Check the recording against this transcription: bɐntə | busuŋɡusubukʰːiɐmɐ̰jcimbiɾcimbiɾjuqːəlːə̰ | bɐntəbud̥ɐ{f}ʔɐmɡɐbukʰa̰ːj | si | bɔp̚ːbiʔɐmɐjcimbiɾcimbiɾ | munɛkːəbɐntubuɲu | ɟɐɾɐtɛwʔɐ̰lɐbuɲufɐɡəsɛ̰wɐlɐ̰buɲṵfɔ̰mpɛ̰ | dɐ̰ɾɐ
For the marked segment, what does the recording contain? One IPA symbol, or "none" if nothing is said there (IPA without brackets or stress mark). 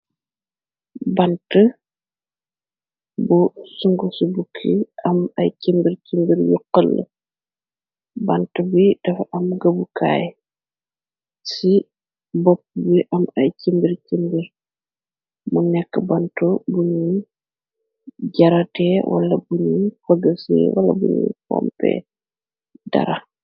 f